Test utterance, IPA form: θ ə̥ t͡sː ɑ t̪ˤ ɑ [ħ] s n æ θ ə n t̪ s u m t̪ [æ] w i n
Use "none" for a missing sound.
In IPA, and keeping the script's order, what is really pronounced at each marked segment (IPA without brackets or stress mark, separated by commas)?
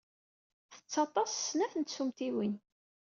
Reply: s, i